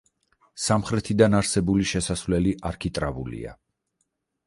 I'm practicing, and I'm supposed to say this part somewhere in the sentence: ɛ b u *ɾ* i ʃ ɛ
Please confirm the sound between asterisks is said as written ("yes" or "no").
no